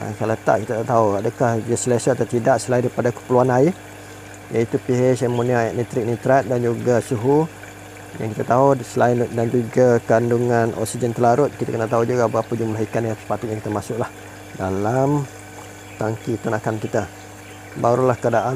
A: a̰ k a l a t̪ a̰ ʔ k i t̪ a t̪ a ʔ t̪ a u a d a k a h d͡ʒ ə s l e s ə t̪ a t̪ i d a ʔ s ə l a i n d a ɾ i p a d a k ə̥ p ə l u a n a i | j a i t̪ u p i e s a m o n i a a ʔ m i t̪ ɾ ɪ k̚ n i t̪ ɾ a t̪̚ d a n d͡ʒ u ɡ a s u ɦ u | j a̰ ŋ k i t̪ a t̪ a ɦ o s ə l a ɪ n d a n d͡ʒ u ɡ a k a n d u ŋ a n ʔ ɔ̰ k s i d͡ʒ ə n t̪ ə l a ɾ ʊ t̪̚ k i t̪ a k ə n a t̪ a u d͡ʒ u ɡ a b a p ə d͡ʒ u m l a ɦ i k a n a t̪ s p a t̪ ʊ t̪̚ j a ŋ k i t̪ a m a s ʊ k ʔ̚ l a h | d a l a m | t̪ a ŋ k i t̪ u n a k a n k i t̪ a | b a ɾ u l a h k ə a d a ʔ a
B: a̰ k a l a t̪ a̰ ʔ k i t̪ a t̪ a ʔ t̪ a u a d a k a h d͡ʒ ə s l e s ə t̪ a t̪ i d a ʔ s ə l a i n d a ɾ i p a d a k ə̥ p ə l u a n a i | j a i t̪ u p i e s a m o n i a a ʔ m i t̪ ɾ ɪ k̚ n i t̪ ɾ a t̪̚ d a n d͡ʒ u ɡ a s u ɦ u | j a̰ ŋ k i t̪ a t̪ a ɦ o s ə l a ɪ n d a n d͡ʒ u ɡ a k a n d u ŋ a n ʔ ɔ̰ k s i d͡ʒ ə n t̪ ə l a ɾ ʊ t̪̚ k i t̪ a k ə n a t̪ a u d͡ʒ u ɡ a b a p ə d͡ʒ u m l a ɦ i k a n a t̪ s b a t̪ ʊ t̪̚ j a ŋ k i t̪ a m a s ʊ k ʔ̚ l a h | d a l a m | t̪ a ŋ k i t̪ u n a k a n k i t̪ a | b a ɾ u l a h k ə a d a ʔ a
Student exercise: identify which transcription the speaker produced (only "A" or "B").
A